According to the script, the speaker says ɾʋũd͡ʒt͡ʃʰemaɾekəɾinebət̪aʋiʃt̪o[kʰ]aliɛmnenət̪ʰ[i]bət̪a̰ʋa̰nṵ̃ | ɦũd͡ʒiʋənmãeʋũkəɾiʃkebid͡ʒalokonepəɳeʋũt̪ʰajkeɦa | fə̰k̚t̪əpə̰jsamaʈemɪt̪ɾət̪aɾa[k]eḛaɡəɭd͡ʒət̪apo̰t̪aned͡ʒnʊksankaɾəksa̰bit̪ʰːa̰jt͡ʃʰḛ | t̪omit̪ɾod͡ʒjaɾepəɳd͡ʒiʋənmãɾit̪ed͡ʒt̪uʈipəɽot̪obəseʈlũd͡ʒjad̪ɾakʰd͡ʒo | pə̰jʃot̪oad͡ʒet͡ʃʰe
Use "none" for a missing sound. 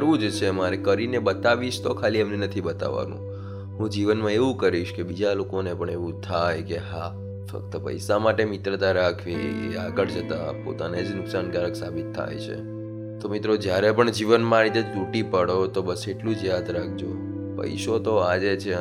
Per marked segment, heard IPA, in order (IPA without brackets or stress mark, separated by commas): kʰ, i, kʰ